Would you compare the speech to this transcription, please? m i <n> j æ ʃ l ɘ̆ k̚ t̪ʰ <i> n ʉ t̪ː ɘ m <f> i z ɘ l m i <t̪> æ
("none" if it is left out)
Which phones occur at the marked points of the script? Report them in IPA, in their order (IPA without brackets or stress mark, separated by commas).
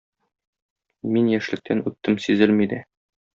n, æ, s, d̪